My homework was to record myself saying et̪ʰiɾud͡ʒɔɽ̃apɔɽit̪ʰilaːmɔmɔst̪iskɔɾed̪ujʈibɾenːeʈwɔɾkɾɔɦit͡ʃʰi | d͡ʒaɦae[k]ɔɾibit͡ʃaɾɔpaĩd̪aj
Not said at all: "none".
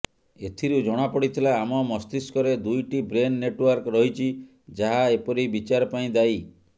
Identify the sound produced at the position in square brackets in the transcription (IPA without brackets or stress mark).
p